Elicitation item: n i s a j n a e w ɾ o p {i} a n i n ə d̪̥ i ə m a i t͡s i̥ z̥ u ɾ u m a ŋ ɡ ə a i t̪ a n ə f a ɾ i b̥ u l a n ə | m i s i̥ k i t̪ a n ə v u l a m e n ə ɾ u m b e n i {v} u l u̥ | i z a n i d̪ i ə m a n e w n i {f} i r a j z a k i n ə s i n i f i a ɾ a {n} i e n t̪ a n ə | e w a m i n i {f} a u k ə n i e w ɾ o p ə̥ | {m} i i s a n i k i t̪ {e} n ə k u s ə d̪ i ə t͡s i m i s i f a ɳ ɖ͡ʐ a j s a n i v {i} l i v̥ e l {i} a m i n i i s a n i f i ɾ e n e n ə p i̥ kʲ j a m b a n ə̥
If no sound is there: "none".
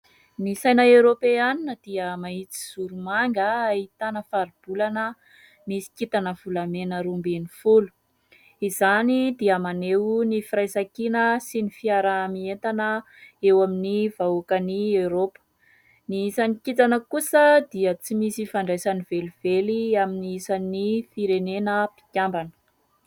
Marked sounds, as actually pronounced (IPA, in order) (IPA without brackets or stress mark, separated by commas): e, f, f, m, v, n, a, e, i